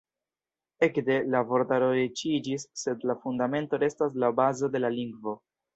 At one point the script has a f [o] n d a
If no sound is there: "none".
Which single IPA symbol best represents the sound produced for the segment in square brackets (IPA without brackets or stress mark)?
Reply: u